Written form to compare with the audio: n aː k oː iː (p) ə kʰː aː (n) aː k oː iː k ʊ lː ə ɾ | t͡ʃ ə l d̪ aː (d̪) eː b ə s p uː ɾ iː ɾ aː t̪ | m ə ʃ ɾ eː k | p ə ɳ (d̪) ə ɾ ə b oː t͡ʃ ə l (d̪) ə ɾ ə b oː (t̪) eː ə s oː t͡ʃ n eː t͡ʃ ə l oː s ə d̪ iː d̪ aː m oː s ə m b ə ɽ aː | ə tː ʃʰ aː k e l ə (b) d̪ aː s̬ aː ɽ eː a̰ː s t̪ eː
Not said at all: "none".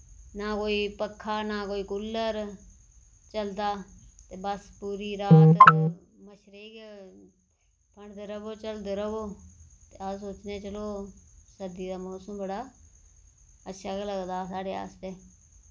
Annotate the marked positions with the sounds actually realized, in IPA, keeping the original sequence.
p, n, t̪, d̪, d̪, t̪, ɡ

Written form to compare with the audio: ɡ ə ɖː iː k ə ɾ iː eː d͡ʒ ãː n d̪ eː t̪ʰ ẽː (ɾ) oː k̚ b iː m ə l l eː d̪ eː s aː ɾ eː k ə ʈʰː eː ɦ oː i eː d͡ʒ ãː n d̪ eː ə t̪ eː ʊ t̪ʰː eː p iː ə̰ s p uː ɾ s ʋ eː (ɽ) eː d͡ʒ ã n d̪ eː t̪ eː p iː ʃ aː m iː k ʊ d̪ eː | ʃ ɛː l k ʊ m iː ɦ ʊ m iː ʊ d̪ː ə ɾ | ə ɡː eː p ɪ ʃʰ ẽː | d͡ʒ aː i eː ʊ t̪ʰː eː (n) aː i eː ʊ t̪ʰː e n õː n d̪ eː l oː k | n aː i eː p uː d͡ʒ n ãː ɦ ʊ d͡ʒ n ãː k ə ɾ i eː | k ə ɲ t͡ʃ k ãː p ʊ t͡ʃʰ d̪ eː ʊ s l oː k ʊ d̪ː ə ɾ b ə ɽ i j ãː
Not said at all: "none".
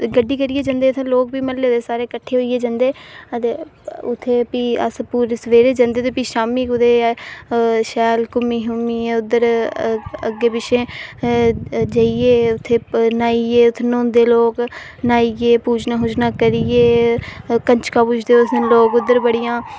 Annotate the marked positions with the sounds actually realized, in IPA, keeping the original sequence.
l, ɾ, n

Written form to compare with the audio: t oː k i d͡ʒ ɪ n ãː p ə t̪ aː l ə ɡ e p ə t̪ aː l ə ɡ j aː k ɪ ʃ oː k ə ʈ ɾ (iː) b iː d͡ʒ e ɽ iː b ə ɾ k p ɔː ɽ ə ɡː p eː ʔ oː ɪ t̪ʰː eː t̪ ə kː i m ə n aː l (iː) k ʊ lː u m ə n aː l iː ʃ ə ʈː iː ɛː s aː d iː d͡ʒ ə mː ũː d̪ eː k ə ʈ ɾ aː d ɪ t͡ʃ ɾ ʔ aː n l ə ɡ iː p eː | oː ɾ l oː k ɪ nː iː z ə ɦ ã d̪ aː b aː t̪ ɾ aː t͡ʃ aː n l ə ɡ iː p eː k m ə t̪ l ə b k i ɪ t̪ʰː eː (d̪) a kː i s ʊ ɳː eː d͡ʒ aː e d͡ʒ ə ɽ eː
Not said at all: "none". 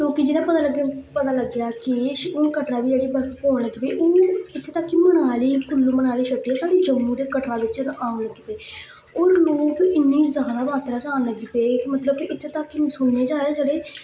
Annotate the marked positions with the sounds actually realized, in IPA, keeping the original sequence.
aː, iː, t̪

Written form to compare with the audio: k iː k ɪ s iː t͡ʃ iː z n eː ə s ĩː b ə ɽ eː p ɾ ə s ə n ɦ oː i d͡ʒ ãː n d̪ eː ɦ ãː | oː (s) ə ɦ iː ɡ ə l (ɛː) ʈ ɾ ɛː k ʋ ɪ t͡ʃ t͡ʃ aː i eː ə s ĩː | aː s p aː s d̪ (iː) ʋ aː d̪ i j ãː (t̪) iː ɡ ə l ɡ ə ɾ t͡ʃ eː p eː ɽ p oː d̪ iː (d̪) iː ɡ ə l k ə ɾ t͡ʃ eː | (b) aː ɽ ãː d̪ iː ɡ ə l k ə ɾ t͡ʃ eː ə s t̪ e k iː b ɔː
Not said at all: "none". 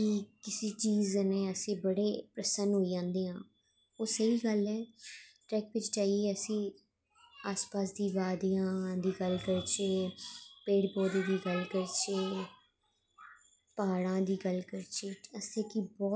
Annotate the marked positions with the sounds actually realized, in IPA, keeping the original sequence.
s, ɛː, iː, d̪, d̪, p

